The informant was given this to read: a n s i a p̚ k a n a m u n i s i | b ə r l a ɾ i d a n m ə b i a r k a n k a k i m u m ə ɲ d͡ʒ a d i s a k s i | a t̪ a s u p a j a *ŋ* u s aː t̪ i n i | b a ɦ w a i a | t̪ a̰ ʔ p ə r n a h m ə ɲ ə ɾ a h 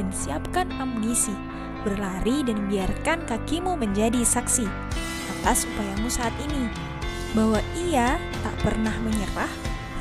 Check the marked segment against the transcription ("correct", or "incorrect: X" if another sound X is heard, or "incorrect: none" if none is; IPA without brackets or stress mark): incorrect: m